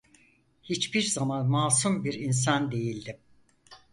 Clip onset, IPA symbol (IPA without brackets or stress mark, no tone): h